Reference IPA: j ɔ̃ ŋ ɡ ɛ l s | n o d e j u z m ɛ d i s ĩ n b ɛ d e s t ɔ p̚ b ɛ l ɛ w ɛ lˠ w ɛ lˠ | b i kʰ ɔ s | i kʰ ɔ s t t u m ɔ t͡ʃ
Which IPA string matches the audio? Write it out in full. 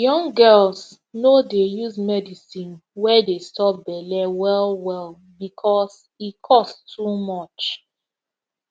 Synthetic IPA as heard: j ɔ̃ ŋ ɡ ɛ l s | n o d e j u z m ɛ d i s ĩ n w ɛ d e s t ɔ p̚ b ɛ l ɛ w ɛ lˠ w ɛ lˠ | b i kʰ ɔ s | i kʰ ɔ s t t u m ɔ t͡ʃ